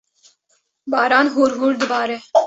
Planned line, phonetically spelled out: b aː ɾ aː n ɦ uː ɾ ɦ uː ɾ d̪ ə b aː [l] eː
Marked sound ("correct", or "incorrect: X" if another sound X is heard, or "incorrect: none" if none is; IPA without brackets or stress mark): incorrect: ɾ